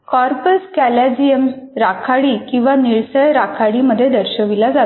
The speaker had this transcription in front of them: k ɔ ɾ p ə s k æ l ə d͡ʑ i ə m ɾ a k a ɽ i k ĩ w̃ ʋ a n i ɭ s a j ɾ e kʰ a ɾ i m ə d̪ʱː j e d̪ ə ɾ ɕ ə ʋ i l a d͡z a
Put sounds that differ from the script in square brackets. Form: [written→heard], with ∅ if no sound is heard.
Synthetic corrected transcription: k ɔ ɾ p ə s k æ l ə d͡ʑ i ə m ɾ a [k→kʰ] a ɽ i k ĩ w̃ ʋ a n i ɭ s [a→ə] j ɾ [e→a] kʰ a [ɾ→ɽ] i m ə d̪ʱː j e d̪ ə ɾ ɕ ə ʋ i l a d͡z a